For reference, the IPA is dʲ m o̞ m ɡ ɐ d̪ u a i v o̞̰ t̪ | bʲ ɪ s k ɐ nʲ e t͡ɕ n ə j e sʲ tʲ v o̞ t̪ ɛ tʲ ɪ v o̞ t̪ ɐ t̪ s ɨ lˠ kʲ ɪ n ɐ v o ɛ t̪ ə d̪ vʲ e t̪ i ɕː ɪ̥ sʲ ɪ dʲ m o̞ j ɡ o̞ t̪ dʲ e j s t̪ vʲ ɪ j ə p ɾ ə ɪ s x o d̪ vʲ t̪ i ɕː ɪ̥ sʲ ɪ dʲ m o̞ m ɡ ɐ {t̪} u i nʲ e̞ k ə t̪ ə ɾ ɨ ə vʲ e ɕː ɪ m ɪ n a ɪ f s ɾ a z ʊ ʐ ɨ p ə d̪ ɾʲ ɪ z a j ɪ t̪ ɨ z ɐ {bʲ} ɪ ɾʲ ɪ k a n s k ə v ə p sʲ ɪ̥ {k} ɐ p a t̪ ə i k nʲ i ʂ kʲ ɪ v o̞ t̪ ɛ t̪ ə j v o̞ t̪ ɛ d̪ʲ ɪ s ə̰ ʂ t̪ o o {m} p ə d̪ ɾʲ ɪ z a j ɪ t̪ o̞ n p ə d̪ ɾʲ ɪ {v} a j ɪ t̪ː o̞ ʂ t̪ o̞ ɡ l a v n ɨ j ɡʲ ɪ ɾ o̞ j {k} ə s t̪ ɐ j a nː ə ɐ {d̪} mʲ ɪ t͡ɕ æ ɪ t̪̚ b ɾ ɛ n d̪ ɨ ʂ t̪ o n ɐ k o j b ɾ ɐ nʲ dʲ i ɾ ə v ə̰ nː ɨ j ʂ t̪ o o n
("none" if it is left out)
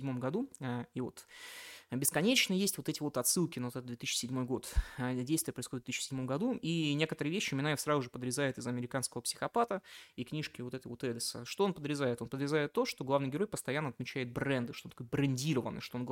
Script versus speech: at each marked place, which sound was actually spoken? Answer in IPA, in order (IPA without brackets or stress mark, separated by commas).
d̪, mʲ, x, n, z, p, t̪